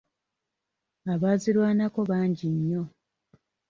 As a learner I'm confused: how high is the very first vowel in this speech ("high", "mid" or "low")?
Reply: low